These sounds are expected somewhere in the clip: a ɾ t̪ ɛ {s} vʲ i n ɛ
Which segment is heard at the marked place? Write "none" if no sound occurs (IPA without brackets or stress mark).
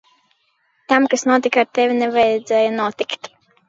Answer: none